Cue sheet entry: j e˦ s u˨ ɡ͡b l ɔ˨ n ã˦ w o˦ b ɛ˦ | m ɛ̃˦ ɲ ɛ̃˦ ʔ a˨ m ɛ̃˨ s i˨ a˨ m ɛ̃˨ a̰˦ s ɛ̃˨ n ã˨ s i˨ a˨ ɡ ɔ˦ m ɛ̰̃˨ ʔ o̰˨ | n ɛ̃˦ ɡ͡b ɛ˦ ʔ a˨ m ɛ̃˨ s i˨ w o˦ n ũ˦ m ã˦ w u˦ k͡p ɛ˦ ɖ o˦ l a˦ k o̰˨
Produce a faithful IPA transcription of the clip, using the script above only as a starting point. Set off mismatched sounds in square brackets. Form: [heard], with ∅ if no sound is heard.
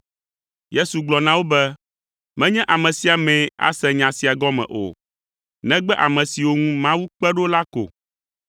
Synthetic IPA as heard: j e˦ s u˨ ɡ͡b l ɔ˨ n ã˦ w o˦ b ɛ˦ | m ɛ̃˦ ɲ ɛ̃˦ ʔ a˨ m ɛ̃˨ s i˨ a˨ m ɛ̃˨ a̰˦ s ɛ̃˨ [ɲ] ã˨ s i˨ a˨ ɡ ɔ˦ m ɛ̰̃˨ ʔ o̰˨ | n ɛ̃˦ ɡ͡b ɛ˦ ʔ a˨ m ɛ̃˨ s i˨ w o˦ [ŋ] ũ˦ m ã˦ w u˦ k͡p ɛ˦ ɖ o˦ l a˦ k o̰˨